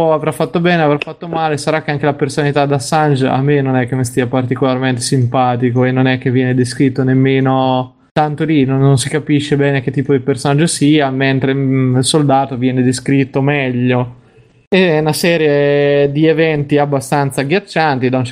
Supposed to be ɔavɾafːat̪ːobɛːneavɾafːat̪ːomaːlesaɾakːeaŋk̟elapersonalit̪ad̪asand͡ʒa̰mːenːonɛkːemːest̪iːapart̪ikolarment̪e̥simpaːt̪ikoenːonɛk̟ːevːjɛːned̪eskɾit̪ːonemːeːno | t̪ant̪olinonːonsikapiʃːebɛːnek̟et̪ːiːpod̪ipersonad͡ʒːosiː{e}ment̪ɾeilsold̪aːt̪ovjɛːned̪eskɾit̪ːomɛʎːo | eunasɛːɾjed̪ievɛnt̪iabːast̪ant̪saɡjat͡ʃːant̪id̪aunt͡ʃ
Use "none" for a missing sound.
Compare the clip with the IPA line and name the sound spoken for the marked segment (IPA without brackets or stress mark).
a